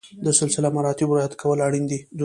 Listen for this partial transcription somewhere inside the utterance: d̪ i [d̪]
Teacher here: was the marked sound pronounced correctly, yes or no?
yes